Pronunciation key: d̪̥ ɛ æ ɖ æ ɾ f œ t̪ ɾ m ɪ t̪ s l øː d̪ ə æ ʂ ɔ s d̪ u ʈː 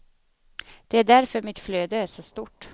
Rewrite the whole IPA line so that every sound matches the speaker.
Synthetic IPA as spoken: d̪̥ ɛ æ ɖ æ ɾ f œ ɾ m ɪ t̪ f l øː d̪ ə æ ʂ ɔ s t̪ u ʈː